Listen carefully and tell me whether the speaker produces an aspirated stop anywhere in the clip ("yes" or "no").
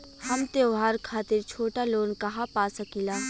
yes